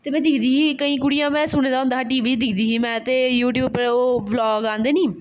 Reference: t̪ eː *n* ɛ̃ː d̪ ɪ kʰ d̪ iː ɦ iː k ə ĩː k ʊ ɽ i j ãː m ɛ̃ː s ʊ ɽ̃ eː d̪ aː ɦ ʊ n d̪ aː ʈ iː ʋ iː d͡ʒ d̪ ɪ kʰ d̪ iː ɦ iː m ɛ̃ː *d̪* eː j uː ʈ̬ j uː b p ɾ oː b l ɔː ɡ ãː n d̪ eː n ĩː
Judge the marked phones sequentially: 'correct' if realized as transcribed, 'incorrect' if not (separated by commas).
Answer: incorrect, incorrect